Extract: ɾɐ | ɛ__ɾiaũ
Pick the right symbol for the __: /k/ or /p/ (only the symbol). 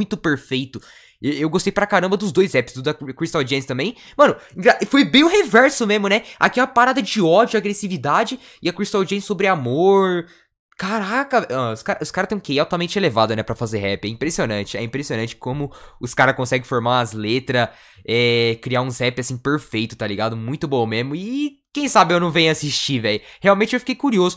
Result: k